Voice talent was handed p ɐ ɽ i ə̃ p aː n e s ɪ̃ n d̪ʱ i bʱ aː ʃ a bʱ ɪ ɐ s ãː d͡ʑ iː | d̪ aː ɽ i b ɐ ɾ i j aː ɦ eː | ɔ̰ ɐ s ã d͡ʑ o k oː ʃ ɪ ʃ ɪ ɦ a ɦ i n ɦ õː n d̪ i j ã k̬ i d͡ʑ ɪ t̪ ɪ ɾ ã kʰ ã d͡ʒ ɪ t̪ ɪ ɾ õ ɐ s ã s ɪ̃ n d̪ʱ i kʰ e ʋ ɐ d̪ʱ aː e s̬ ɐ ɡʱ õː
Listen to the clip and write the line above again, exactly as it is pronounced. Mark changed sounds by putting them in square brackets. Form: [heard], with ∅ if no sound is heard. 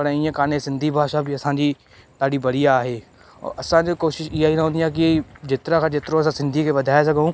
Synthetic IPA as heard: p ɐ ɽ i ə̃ [k] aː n e s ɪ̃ n d̪ʱ i bʱ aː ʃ a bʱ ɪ ɐ s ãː d͡ʑ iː | [t̪] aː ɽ i b ɐ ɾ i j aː ɦ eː | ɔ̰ ɐ s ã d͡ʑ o k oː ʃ ɪ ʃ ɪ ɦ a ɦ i n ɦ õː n d̪ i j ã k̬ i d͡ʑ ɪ t̪ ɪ ɾ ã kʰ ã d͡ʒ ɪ t̪ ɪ ɾ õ ɐ s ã s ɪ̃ n d̪ʱ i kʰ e ʋ ɐ d̪ʱ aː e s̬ ɐ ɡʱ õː